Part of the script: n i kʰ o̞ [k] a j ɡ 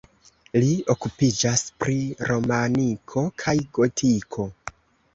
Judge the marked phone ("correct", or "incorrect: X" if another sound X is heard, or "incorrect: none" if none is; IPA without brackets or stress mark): incorrect: kʰ